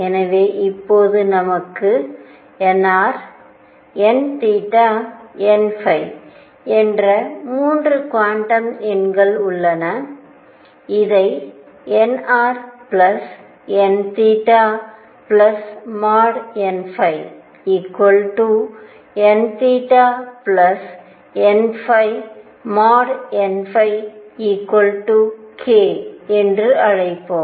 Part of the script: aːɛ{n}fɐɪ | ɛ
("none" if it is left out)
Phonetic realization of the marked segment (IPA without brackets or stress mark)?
n